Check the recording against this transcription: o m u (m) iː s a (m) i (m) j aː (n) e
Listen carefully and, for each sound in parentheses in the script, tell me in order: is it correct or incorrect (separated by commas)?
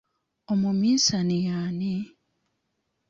correct, incorrect, incorrect, correct